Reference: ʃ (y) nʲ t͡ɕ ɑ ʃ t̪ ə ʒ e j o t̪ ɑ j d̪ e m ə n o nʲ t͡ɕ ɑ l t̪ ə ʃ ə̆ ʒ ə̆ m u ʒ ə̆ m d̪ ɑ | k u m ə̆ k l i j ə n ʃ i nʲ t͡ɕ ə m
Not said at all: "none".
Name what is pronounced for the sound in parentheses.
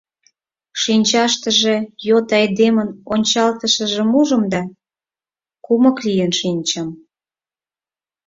i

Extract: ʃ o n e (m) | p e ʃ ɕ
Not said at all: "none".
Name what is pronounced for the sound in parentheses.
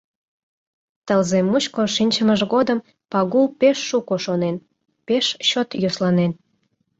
n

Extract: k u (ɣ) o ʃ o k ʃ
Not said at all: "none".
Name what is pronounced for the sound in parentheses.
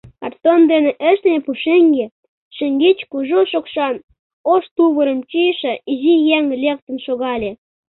ʒ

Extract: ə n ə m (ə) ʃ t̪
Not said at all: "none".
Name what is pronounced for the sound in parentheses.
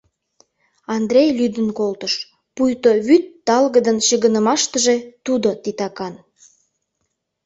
ɑ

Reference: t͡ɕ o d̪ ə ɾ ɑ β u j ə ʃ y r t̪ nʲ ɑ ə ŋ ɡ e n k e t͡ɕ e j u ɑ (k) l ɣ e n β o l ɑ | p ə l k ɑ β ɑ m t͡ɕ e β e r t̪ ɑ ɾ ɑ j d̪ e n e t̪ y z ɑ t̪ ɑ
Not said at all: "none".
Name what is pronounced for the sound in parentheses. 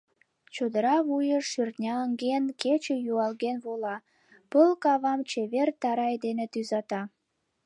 none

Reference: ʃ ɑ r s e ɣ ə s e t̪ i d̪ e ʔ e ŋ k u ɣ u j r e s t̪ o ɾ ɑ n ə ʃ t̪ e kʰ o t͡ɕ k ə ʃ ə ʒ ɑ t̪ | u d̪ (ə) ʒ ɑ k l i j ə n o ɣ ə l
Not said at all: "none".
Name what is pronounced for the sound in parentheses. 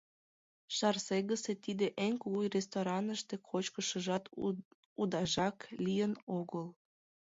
ɑ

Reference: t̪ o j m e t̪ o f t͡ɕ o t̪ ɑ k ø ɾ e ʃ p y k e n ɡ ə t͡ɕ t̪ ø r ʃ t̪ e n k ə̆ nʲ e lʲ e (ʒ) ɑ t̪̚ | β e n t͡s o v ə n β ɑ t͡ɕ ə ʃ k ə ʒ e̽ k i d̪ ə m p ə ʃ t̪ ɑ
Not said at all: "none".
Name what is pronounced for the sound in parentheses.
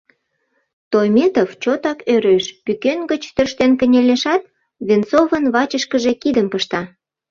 ʃ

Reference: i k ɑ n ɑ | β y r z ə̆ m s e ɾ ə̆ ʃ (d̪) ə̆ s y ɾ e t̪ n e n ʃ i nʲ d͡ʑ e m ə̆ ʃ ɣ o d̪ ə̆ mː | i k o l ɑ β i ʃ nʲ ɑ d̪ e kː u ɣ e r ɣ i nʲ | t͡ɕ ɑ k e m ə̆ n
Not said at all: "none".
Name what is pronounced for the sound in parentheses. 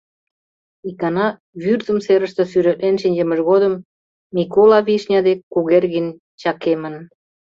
t̪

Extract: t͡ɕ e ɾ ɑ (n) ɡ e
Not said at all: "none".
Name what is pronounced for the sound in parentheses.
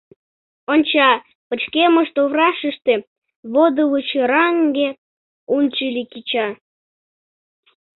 ŋ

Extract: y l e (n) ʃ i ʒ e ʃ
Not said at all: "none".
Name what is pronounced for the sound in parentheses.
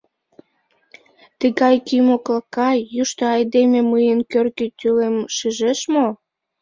m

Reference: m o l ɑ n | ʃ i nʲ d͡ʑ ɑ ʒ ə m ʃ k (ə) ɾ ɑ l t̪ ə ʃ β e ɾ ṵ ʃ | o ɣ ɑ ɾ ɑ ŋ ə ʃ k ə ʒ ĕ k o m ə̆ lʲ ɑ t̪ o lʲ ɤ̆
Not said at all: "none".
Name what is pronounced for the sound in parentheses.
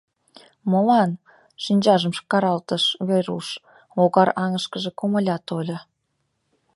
ɑ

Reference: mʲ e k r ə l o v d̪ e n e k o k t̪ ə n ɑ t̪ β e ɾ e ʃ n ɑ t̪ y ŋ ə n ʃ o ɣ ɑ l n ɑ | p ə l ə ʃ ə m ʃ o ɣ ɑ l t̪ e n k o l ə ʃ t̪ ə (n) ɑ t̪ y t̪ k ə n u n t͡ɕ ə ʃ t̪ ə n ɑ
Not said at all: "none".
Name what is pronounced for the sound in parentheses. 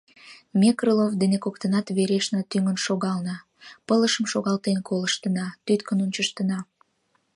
n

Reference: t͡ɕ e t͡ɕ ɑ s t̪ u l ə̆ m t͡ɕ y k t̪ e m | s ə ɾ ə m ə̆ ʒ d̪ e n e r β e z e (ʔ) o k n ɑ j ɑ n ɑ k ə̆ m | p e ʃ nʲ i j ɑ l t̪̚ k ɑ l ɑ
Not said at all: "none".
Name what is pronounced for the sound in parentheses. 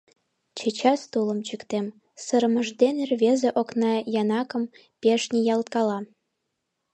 ʔ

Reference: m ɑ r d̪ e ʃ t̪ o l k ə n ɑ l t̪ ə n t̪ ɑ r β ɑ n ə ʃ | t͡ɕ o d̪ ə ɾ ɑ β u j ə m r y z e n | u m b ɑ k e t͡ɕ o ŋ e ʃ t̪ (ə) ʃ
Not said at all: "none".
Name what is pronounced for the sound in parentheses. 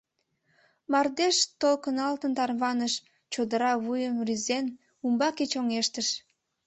ə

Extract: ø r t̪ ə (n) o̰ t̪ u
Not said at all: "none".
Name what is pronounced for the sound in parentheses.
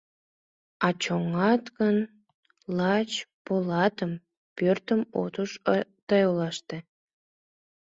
m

